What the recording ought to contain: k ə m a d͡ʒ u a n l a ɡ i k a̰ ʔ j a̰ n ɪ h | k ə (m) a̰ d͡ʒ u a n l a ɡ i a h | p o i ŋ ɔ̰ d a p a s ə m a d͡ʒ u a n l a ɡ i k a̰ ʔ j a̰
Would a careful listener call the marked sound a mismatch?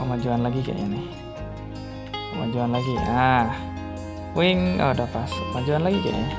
no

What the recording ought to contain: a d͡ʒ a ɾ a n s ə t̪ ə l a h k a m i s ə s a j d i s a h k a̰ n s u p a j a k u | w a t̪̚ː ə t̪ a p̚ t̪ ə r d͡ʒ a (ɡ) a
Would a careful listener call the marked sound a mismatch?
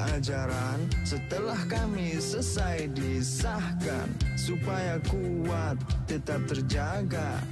no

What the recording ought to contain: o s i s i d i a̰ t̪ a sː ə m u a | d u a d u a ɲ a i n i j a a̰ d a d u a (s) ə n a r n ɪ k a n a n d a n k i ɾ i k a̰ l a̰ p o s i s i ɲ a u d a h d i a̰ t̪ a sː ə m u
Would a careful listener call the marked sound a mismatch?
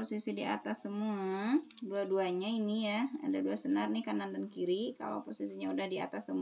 no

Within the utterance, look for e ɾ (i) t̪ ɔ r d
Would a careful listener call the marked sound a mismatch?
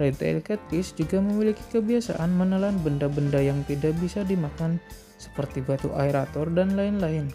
yes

